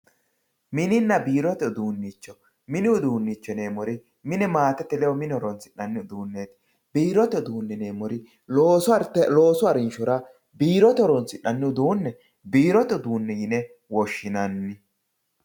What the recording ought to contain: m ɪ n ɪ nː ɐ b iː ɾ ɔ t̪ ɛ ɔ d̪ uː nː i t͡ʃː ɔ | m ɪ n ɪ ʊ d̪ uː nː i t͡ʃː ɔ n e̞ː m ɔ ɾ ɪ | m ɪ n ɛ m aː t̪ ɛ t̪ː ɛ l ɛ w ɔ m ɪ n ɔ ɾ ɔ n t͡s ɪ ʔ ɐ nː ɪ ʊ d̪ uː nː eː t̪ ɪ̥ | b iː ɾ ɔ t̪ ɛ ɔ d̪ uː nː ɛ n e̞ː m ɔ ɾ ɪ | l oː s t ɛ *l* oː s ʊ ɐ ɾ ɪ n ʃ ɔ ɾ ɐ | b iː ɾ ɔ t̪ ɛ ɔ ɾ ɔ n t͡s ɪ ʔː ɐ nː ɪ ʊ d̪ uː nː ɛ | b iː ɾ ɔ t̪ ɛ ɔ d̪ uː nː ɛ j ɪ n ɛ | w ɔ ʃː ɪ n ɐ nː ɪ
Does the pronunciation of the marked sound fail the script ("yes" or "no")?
no